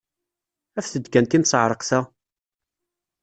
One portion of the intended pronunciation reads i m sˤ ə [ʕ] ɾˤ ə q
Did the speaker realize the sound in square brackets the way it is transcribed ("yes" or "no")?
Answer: yes